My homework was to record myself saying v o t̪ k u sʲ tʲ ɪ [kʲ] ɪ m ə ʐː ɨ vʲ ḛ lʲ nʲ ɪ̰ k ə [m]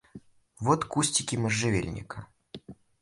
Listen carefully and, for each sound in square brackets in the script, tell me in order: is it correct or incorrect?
correct, incorrect: none

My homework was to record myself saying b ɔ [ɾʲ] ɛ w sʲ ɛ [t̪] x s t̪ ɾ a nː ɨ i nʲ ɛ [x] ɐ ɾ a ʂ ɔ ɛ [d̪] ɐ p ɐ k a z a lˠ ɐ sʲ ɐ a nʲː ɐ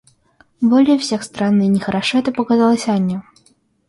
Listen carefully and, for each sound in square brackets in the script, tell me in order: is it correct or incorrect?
incorrect: lʲ, incorrect: none, correct, incorrect: t̪

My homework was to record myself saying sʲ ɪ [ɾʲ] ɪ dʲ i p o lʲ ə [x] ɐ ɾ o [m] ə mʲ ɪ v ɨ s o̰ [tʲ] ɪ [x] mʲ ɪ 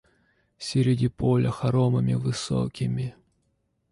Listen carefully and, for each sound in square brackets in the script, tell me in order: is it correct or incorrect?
correct, correct, correct, incorrect: kʲ, incorrect: none

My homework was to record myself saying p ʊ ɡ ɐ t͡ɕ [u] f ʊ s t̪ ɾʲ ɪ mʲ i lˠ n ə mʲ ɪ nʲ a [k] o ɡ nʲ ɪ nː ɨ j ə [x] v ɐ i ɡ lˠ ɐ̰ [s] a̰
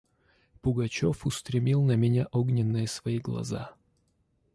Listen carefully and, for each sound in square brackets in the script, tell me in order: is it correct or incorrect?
incorrect: o, incorrect: ʔ, incorrect: s, incorrect: z

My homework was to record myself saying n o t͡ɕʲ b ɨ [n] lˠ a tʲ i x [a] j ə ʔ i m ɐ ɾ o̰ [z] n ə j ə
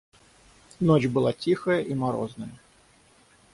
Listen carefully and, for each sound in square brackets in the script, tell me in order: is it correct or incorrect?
incorrect: none, incorrect: ə, correct

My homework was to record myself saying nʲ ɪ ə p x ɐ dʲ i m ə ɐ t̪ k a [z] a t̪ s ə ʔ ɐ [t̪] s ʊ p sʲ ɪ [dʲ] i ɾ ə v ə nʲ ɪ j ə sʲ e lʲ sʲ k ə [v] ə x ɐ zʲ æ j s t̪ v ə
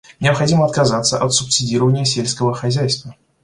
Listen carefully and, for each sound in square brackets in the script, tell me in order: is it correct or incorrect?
correct, correct, correct, correct

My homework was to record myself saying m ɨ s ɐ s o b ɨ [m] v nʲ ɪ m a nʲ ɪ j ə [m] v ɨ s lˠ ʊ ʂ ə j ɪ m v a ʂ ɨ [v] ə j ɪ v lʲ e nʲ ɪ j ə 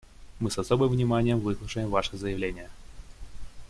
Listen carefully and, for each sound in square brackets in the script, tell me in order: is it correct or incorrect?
correct, correct, incorrect: z

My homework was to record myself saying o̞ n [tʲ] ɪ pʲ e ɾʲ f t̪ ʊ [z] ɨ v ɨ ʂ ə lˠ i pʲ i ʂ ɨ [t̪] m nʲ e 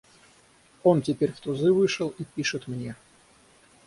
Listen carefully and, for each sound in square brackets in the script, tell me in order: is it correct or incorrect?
correct, correct, correct

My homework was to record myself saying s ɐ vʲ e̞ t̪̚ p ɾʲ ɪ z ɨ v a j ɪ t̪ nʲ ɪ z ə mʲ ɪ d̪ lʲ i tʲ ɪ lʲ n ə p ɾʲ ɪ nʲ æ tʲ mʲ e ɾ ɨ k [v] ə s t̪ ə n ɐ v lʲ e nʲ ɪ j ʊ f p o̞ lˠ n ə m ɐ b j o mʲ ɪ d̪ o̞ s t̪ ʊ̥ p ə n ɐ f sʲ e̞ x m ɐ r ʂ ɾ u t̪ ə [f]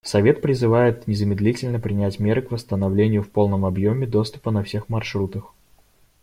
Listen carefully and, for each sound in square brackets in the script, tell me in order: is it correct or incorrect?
correct, incorrect: x

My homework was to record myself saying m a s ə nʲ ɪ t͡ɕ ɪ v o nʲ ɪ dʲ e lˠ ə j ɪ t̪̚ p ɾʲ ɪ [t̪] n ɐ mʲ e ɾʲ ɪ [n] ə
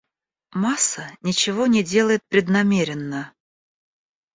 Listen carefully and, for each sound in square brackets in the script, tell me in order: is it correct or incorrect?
incorrect: d̪, incorrect: nː

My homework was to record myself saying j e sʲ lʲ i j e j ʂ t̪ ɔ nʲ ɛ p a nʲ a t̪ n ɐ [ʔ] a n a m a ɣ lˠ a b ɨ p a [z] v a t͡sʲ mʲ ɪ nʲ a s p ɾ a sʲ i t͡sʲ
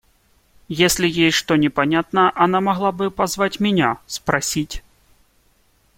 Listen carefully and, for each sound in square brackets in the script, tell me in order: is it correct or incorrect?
correct, correct

